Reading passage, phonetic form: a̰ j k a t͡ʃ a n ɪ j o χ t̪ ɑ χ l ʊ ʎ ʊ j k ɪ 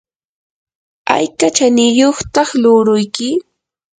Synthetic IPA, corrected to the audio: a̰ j k a t͡ʃ a n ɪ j o χ t̪ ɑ χ l ʊ ɾ ʊ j k ɪ